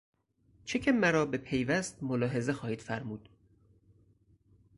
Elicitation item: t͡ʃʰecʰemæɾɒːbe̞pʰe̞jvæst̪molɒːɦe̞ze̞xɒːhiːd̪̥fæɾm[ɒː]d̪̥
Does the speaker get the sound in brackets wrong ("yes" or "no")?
yes